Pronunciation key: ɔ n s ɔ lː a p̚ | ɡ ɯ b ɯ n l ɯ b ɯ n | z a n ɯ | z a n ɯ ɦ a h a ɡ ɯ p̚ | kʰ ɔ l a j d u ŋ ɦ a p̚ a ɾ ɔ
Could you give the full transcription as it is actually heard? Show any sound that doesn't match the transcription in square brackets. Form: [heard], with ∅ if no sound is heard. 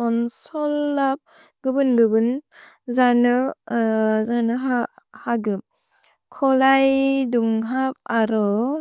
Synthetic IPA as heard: ɔ n s ɔ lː a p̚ | ɡ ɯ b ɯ n l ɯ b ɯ n | z a n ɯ | z a n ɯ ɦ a h a ɡ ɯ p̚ | kʰ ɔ l a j d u ŋ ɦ a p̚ a ɾ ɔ